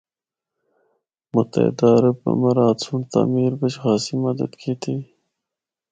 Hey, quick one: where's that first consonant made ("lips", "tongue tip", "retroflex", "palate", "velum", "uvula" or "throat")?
lips